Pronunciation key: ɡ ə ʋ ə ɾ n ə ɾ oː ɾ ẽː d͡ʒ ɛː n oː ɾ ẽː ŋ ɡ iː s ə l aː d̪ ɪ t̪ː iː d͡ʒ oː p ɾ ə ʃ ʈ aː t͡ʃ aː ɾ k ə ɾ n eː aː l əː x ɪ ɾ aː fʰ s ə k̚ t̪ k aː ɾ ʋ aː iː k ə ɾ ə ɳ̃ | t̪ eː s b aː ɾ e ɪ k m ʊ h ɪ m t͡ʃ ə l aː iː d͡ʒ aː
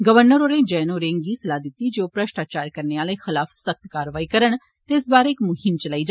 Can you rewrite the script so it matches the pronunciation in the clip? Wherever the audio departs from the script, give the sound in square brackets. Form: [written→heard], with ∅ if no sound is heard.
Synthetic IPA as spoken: ɡ ə ʋ ə ɾ n ə ɾ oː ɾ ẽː d͡ʒ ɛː n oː ɾ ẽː ŋ ɡ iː s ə l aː d̪ ɪ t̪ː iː d͡ʒ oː p ɾ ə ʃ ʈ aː t͡ʃ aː ɾ k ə ɾ n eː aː l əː x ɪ [ɾ→l] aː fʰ s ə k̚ t̪ k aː ɾ ʋ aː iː k ə ɾ ə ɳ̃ | t̪ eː s b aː ɾ e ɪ k m ʊ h ɪ m t͡ʃ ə l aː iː d͡ʒ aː